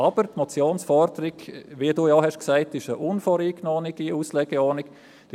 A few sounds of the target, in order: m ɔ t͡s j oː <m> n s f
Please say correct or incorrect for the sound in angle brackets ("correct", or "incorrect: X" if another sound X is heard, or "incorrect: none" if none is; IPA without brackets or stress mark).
incorrect: none